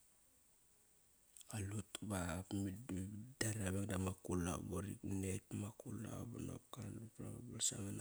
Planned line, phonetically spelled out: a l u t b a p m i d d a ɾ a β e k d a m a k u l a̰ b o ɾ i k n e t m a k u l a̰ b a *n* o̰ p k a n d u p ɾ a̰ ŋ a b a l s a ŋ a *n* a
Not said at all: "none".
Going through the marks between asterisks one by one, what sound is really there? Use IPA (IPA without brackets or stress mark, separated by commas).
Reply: n, n